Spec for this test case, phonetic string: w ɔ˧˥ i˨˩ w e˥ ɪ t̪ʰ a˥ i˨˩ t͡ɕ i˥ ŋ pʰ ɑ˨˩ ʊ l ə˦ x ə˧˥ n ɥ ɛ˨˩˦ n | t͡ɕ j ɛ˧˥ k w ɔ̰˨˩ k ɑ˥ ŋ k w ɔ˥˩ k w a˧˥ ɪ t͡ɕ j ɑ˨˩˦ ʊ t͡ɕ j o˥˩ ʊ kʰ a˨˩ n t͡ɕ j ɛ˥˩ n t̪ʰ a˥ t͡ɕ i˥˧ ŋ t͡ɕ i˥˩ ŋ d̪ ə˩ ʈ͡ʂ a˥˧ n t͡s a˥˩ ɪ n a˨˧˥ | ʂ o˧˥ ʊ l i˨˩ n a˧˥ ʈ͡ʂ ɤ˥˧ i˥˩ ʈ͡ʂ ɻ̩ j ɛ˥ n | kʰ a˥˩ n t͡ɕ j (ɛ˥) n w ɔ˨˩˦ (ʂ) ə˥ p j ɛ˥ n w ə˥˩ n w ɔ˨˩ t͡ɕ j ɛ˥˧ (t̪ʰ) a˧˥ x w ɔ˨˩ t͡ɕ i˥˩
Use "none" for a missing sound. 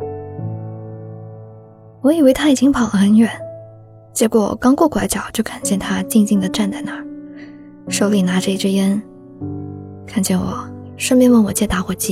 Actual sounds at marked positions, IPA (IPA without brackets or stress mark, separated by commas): ɛ˥˩, ʂ, t̪